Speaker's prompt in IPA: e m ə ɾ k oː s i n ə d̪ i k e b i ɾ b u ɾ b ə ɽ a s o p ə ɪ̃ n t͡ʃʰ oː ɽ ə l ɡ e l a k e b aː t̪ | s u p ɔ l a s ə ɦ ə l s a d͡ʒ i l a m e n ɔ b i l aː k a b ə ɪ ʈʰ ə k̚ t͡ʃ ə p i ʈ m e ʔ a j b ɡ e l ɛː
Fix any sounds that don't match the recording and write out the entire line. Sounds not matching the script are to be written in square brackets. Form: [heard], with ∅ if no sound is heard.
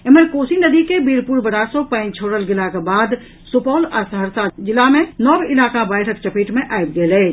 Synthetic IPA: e m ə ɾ k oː s i n ə d̪ i k e b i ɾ [p] u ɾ b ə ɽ a s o p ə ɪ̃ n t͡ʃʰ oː ɽ ə l ɡ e l a k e b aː [d̪] | s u p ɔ l a s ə ɦ ə [ɾ] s a d͡ʒ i l a m e n ɔ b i l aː k a b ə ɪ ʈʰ ə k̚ t͡ʃ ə p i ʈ m e ʔ a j b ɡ e l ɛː